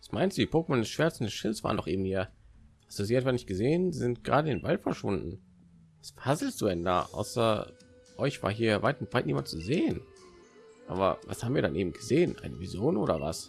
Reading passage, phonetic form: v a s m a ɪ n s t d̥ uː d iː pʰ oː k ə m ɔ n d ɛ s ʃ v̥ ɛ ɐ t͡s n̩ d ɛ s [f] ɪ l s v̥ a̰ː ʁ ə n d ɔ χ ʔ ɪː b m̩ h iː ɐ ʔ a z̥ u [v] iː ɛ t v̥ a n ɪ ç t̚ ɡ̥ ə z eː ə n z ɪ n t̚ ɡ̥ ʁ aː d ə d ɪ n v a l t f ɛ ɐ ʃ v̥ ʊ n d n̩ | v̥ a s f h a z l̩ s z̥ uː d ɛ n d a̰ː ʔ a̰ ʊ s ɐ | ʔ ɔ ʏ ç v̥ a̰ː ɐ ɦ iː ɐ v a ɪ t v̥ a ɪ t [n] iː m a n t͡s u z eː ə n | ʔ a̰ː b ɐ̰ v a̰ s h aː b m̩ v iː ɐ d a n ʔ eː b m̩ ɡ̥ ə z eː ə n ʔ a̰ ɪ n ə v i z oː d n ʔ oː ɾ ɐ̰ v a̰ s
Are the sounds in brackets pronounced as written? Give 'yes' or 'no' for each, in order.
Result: no, no, yes

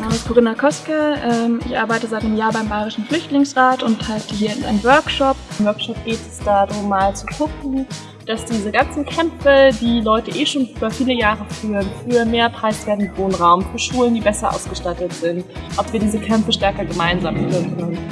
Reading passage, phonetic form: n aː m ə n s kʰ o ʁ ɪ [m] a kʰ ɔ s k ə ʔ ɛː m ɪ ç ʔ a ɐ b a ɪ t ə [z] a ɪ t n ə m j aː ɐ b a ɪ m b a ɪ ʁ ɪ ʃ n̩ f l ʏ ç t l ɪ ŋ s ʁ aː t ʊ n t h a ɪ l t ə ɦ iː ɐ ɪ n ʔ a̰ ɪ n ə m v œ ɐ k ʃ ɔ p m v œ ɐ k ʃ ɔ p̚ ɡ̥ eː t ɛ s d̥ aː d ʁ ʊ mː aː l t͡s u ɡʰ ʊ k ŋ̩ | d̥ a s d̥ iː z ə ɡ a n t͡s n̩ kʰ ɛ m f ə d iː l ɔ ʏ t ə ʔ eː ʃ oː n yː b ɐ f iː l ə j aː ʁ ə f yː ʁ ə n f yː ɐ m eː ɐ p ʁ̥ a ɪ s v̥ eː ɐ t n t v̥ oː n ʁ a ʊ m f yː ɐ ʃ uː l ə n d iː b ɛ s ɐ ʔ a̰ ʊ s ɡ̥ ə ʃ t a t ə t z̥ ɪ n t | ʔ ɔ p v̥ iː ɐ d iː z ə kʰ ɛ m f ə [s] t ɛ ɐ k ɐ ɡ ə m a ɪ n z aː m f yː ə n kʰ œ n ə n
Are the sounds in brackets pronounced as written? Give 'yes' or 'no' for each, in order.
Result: no, yes, no

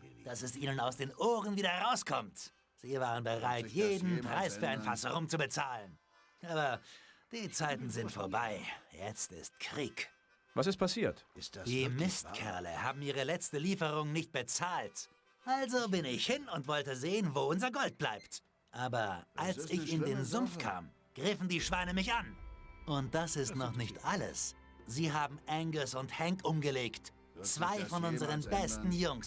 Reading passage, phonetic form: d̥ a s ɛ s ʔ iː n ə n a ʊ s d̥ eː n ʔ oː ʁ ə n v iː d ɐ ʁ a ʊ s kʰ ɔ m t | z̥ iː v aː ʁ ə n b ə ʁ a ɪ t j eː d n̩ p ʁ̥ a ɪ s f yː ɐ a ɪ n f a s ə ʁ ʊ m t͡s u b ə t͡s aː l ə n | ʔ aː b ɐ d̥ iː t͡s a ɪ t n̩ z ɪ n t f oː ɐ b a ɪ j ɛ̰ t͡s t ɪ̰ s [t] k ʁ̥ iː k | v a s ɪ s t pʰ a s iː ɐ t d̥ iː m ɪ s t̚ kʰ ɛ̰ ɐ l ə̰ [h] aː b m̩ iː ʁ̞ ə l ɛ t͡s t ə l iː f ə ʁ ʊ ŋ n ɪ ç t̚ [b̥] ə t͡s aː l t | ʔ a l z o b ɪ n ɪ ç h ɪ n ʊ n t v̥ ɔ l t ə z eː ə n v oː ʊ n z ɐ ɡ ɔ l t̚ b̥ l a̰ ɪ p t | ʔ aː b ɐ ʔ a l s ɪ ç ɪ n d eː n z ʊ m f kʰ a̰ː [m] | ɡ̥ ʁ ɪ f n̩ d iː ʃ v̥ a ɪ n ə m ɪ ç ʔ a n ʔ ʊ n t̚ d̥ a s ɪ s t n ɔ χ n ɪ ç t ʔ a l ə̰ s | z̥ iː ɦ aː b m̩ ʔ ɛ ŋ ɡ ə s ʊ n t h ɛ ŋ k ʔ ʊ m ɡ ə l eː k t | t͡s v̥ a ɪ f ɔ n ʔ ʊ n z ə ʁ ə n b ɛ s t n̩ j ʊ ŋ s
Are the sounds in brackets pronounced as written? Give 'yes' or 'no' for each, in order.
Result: yes, yes, yes, yes

